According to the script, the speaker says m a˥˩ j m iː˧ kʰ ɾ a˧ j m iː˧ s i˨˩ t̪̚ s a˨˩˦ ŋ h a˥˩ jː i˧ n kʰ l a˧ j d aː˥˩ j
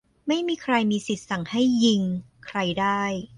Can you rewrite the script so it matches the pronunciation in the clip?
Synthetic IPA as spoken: m a˥˩ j m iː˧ kʰ ɾ a˧ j m iː˧ s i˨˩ t̪̚ s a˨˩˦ ŋ h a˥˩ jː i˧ ŋ kʰ ɾ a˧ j d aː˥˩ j